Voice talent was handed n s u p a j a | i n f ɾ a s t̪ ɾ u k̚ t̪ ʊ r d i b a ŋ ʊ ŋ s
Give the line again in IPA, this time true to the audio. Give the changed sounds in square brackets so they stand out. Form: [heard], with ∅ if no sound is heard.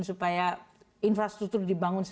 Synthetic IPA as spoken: n s u p a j a | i n f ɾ a s t̪ ɾ u k̚ t̪ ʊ r d i b a ŋ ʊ [n] s